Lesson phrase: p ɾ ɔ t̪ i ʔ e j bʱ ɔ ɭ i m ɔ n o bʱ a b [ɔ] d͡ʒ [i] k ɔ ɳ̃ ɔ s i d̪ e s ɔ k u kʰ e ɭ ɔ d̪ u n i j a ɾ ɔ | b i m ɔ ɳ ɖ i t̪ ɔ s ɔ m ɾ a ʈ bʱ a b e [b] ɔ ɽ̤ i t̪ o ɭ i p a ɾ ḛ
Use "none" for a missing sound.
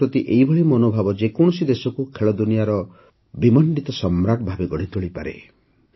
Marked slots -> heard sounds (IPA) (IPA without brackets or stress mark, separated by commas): ɔ, e, ɡ